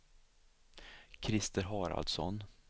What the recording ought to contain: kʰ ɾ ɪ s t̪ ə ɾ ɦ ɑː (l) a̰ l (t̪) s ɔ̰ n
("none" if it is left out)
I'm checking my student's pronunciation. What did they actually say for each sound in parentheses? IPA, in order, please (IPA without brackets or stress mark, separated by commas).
ɾ, d̪